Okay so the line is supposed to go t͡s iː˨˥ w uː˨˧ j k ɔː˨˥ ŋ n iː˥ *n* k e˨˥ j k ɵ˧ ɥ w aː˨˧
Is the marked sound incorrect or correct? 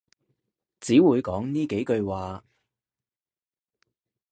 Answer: incorrect